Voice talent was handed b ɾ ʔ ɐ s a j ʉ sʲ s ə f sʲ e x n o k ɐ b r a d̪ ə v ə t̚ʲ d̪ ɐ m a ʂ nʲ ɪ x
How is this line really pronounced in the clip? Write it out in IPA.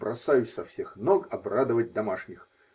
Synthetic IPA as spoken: b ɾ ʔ ɐ s a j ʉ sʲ s ɐ f sʲ e x n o k ɐ b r a d̪ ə v ə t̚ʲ d̪ ɐ m a ʂ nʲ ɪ x